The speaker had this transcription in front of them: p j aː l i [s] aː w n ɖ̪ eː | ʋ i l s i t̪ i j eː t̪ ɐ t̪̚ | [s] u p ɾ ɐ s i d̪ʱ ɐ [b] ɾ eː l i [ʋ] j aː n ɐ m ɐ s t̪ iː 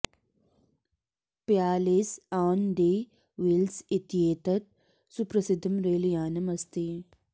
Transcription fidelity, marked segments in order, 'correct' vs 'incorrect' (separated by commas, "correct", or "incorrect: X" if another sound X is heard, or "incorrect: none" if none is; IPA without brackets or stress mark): correct, correct, incorrect: m, incorrect: none